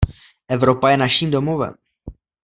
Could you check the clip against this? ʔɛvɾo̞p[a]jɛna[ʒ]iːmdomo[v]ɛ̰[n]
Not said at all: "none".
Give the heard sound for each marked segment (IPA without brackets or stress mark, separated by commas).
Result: a, ʃ, v, m